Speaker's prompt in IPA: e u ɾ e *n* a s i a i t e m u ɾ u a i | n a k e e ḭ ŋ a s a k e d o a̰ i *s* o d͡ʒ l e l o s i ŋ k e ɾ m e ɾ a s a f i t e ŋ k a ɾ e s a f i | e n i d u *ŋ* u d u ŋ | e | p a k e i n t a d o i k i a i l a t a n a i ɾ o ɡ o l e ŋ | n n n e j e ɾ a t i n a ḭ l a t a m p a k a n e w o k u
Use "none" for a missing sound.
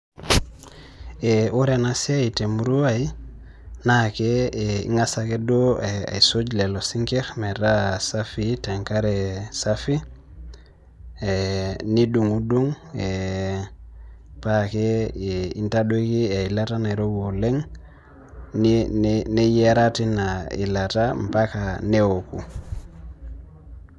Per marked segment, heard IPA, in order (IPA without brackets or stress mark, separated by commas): n, s, ŋ